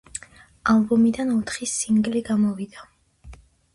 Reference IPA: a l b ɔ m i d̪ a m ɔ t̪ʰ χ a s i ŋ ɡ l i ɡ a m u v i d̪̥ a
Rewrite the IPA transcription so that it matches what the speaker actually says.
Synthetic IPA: a l b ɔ m i d̪ a n ɔ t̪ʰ χ i s i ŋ ɡ l i ɡ a m ɔ v i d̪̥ a

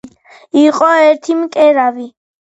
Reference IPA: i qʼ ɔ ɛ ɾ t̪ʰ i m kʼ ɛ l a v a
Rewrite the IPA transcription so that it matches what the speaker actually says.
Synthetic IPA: i qʼ ɔ ɛ ɾ t̪ʰ i m kʼ ɛ ɾ a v i

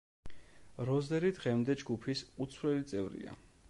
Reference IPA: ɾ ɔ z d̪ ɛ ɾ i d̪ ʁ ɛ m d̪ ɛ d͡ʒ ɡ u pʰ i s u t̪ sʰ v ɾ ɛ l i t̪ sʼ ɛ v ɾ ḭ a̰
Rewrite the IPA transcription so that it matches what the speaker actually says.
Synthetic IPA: ɾ ɔ z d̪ ɛ ɾ i d̪ ʁ ɛ m d̪ ɛ d͡ʒ ɡ u pʰ i s u t̪ sʰ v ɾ ɛ l i t̪ sʼ ɛ v ɾ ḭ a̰

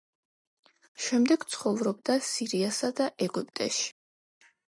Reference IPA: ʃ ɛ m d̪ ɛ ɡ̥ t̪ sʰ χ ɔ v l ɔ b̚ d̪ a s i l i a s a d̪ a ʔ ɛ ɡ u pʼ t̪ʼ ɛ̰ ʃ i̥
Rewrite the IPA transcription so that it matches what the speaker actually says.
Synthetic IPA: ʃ ɛ m d̪ ɛ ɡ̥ t̪ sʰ χ ɔ v ɾ ɔ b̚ d̪ a s i ɾ i a s a d̪ a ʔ ɛ ɡ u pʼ t̪ʼ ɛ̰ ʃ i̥

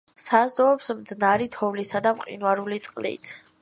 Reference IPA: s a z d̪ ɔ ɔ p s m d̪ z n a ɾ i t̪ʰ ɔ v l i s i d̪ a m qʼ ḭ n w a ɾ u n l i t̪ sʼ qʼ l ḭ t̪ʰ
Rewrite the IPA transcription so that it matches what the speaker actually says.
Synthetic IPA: s a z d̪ ɔ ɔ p s m d̪ z n a ɾ i t̪ʰ ɔ v l i s a d̪ a m qʼ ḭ n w a ɾ u l i t̪ sʼ qʼ l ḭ t̪ʰ

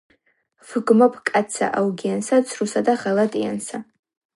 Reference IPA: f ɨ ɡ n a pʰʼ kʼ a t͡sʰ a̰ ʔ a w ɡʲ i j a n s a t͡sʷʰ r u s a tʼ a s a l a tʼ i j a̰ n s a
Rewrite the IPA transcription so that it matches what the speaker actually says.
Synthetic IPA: f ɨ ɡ m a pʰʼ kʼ a t͡sʰ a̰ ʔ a w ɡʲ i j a n s a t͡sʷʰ r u s a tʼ a χ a l a tʼ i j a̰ n s a

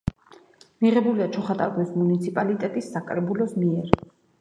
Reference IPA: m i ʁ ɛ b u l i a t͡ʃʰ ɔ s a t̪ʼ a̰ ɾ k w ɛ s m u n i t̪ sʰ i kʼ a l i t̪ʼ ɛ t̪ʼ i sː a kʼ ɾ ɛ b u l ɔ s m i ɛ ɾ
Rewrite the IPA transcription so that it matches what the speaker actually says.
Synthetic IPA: m i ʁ ɛ b u l i a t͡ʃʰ ɔ χ a t̪ʼ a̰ ɾ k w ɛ s m u n i t̪ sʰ i pʼ a l i t̪ʼ ɛ t̪ʼ i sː a kʼ ɾ ɛ b u l ɔ s m i ɛ ɾ

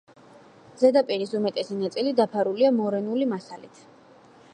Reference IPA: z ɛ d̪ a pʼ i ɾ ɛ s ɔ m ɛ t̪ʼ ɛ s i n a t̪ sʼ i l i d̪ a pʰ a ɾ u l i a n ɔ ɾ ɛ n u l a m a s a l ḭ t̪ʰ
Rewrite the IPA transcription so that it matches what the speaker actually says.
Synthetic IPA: z ɛ d̪ a pʼ i ɾ i s u m ɛ t̪ʼ ɛ s i n a t̪ sʼ i l i d̪ a pʰ a ɾ u l i a m ɔ ɾ ɛ n u l i m a s a l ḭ t̪ʰ

